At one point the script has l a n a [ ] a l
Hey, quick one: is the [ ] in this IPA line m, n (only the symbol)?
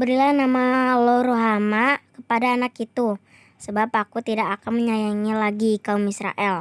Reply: m